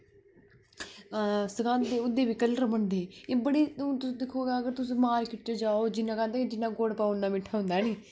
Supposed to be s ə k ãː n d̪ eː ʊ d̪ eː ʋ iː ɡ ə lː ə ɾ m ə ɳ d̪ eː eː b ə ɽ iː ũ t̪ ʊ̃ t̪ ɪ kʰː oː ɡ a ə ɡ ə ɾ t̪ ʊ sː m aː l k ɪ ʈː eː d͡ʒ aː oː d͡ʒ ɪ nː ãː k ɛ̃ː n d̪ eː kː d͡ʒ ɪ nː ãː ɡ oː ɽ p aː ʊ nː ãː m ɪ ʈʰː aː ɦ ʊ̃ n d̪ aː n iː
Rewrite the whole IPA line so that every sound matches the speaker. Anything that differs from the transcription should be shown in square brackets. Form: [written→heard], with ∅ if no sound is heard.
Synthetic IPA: s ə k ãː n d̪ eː ʊ d̪ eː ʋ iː [ɡ→k] ə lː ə ɾ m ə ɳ d̪ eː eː b ə ɽ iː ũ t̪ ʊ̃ [t̪→d̪] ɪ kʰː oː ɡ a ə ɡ ə ɾ t̪ ʊ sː m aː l k ɪ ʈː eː d͡ʒ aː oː d͡ʒ ɪ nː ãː k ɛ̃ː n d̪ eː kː d͡ʒ ɪ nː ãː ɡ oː ɽ p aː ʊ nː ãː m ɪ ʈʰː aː ɦ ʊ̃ n d̪ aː n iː